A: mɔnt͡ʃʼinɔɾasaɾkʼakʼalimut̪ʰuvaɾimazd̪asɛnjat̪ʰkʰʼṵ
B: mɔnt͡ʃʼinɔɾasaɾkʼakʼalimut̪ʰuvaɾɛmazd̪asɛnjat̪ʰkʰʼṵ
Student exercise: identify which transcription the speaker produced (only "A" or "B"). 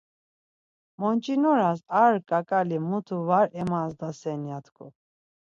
B